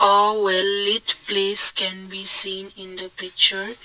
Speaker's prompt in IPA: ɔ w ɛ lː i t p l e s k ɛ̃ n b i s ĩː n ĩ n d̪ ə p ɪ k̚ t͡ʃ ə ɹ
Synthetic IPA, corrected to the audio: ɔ w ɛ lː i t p l e s k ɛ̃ n b i s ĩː n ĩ n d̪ ə p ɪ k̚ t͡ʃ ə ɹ